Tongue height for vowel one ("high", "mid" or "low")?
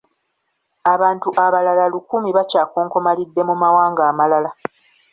low